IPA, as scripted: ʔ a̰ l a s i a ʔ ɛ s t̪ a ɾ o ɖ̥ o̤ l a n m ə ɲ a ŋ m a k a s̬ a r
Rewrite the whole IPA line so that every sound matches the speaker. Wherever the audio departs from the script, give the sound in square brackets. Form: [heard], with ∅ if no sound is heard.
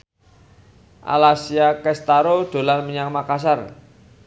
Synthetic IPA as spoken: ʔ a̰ l a s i a [k] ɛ s t̪ a ɾ o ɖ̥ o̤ l a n m ə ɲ a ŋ m a k a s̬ a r